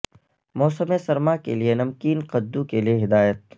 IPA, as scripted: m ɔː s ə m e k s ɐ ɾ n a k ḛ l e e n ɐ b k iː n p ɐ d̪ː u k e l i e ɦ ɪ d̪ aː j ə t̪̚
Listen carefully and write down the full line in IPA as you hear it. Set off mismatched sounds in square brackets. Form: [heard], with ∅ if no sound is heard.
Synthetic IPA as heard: m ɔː s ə m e [∅] s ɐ ɾ [m] a k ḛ l [i] e n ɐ [m] k iː n [q] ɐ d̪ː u k e l i e ɦ ɪ d̪ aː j ə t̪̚